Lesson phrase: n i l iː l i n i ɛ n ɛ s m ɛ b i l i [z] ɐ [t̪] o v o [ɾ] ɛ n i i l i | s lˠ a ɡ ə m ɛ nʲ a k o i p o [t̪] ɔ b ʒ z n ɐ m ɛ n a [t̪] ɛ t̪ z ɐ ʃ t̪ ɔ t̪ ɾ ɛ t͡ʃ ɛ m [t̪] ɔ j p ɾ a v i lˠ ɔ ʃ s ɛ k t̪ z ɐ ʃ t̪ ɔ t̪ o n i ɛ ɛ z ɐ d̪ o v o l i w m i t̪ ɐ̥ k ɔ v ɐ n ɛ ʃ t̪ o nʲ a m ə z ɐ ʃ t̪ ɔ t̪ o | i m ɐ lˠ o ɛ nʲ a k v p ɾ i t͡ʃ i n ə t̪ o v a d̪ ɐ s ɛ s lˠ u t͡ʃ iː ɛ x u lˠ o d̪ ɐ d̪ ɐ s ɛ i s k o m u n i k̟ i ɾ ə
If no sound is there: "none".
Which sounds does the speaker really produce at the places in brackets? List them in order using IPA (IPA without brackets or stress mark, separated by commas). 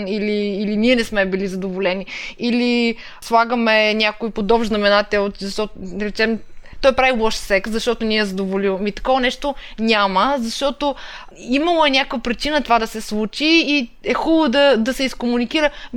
z, d̪, l, d̪, t̪, t̪